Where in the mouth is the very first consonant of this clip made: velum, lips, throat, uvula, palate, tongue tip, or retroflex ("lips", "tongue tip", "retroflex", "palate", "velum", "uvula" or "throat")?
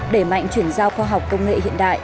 tongue tip